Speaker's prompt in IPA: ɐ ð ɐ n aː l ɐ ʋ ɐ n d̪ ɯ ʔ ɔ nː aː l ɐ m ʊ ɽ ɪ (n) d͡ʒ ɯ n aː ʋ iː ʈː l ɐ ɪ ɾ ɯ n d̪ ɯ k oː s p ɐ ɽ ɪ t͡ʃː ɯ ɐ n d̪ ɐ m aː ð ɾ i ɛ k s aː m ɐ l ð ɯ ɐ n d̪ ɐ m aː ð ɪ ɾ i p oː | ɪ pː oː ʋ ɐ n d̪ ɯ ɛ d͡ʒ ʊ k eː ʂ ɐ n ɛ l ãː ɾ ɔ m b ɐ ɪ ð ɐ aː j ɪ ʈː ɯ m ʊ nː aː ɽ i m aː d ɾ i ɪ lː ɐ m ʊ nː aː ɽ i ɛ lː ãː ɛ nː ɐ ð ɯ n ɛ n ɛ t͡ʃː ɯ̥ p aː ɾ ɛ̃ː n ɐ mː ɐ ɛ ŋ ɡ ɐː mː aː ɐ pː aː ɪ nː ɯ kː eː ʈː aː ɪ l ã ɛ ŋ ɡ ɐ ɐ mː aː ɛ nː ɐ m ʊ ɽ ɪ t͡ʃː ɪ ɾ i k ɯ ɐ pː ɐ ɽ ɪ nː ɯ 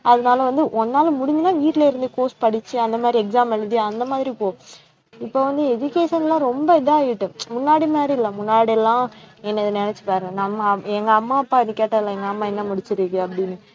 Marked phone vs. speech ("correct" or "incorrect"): incorrect